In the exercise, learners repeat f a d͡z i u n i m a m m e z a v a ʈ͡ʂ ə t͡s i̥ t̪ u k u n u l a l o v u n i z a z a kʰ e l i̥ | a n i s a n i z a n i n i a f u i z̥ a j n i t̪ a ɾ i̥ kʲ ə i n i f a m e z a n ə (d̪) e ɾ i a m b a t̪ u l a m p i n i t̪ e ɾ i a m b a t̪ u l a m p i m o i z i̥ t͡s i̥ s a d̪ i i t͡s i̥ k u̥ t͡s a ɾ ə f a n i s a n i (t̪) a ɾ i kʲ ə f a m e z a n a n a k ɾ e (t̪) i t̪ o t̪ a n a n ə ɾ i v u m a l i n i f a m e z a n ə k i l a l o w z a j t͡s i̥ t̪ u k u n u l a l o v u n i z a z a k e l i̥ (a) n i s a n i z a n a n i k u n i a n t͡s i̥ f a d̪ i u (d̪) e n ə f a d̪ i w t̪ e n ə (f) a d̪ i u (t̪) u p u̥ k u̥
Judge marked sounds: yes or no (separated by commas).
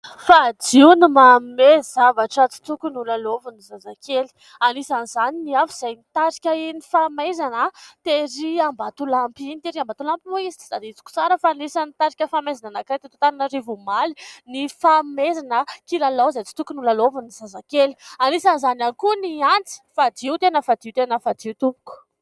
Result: no, yes, yes, yes, no, yes, yes